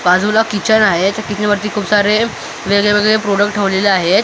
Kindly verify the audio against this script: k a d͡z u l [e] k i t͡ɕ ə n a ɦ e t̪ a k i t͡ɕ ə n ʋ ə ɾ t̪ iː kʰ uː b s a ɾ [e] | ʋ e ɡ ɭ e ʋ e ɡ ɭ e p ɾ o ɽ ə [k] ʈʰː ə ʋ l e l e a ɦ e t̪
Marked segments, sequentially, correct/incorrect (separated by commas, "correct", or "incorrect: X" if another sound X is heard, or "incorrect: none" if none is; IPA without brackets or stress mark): incorrect: a, correct, correct